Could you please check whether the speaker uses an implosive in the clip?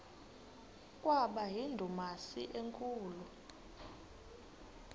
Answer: yes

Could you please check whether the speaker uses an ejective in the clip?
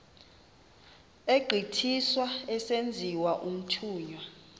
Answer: no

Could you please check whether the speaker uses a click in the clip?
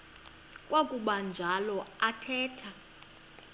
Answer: no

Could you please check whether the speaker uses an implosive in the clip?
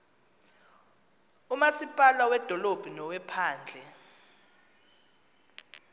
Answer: no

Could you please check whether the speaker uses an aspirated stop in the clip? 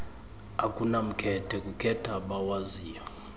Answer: yes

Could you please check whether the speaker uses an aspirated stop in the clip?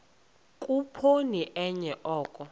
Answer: yes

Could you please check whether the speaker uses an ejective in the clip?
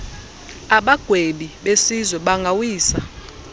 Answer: no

